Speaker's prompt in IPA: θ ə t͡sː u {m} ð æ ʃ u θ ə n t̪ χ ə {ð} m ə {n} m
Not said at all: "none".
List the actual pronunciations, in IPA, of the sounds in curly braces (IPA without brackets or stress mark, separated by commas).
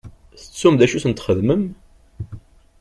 m, ð, none